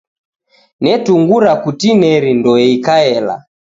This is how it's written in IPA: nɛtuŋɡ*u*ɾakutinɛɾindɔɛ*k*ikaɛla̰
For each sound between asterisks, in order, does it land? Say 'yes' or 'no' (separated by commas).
yes, no